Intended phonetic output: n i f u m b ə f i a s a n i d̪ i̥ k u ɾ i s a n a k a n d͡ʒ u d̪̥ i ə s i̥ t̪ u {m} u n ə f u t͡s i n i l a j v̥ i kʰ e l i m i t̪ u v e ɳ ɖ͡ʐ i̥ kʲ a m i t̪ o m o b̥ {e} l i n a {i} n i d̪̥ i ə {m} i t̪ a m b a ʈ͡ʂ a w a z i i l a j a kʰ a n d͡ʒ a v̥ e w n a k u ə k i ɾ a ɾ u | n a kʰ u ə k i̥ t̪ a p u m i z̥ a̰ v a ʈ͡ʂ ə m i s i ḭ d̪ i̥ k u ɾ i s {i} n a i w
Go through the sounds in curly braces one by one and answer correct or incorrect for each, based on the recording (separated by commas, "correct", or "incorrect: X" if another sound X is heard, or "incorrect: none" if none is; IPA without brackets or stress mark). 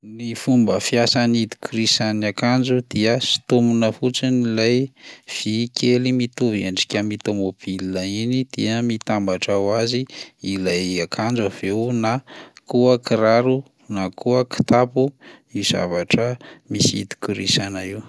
correct, incorrect: i, correct, correct, incorrect: a